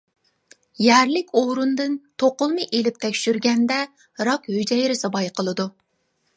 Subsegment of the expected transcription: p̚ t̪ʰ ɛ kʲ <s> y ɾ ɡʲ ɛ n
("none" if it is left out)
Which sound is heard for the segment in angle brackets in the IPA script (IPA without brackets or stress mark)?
ʃ